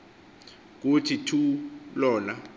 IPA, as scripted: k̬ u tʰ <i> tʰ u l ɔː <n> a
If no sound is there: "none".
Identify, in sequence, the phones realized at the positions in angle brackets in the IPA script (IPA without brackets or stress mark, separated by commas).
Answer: i, n